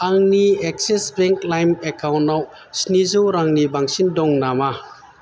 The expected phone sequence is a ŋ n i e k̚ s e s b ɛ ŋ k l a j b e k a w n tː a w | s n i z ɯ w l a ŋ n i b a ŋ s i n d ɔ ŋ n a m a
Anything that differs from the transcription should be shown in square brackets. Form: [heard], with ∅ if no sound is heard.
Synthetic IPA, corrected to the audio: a ŋ n i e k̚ s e s b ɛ ŋ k l a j [m] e k a w n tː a w | s n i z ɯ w [ɾ] a ŋ n i b a ŋ s i n d ɔ ŋ n a m a